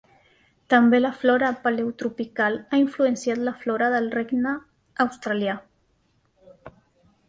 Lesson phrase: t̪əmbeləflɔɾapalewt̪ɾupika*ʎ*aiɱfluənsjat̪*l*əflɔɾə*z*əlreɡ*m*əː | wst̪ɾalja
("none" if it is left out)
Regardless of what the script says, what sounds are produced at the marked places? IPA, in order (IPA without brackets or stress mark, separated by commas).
l, l, ð, n